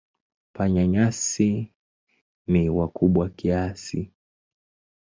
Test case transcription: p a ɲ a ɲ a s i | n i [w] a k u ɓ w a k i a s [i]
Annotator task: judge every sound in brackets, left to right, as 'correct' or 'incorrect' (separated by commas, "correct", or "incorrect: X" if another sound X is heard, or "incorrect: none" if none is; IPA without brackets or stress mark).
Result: correct, correct